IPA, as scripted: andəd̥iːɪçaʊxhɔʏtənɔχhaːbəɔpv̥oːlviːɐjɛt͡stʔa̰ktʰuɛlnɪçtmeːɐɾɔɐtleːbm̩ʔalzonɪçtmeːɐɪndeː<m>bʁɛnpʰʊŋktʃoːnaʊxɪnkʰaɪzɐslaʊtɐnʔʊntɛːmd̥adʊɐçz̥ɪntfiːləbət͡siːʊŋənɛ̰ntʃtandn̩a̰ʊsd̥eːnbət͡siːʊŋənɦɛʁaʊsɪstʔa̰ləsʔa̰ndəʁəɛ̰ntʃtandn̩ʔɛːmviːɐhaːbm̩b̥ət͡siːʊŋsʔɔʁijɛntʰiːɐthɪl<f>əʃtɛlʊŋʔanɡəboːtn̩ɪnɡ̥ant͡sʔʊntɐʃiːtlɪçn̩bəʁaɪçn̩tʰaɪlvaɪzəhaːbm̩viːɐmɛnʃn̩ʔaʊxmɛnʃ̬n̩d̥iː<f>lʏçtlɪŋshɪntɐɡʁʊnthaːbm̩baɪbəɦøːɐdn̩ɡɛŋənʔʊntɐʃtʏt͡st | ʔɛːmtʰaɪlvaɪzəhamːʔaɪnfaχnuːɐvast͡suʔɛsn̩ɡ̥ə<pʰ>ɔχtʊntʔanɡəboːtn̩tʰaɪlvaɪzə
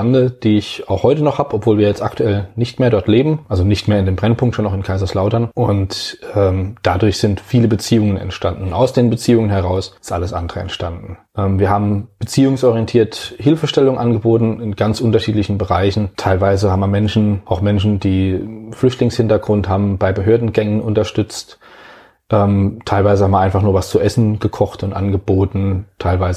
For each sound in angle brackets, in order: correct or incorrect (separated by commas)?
correct, correct, correct, incorrect